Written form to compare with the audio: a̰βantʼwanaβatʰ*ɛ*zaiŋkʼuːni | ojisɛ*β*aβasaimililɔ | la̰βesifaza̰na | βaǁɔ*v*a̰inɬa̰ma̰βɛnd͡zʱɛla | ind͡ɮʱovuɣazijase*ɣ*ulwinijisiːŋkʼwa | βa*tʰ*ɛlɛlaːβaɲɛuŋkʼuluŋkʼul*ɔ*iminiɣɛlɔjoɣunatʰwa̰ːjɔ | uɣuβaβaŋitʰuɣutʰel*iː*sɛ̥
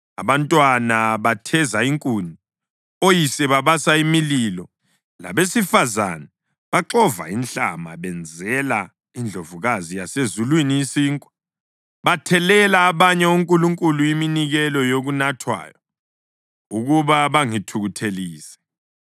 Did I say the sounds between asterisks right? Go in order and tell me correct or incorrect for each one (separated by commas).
correct, correct, correct, incorrect, correct, incorrect, correct